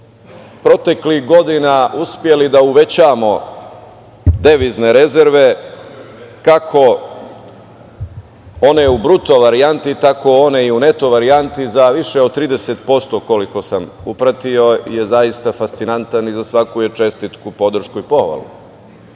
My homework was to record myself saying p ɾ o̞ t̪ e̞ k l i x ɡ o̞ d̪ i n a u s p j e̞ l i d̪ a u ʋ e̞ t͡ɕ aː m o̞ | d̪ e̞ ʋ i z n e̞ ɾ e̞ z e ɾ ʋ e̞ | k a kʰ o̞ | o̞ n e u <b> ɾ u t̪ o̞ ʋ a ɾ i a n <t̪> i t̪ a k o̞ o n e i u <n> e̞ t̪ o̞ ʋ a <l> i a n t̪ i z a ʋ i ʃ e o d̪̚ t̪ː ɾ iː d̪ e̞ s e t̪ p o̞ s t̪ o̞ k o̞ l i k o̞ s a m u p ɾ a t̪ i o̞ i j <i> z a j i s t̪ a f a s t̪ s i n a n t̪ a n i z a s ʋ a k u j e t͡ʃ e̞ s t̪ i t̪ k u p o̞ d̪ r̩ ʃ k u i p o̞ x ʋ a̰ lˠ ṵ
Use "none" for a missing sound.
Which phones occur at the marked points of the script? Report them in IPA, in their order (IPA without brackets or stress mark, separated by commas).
b, t̪, n, ɾ, e